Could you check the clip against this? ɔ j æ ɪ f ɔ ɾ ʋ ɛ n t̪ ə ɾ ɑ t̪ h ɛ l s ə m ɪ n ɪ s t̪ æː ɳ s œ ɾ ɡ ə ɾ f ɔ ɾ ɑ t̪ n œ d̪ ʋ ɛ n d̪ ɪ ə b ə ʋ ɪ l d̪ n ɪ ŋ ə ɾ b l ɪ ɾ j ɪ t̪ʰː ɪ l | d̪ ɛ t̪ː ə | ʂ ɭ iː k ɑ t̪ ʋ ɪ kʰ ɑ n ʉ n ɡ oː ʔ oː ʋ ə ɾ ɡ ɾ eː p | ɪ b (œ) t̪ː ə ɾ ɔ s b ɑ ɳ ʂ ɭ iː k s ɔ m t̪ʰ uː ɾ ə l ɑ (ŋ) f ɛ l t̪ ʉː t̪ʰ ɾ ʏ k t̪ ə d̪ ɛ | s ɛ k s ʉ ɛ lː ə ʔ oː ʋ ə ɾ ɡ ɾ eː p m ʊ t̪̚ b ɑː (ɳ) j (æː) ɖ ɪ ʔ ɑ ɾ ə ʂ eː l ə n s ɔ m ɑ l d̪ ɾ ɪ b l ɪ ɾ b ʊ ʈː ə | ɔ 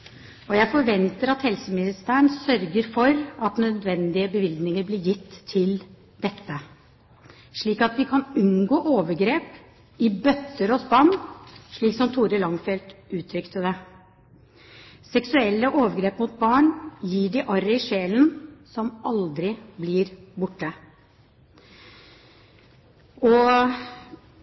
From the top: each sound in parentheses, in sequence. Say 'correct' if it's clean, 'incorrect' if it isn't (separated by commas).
correct, correct, correct, incorrect